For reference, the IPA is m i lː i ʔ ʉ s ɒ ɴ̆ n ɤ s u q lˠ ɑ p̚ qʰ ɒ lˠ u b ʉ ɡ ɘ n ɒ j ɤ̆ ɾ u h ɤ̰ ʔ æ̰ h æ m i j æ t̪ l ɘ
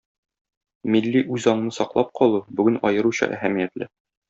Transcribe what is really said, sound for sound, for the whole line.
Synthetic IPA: m i lː i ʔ ʉ z ɒ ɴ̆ n ɤ s ɒ q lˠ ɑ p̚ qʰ ɒ lˠ u b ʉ ɡ ɘ n ɒ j ɤ̆ ɾ u ɕ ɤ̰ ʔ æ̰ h æ m i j æ t̪ l ɘ